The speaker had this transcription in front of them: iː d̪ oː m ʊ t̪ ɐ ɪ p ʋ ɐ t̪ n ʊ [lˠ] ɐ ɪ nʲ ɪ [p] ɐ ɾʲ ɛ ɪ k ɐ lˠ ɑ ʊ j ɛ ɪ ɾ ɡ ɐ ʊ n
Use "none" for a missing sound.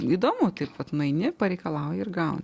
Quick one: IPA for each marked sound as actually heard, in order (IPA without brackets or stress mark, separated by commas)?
none, p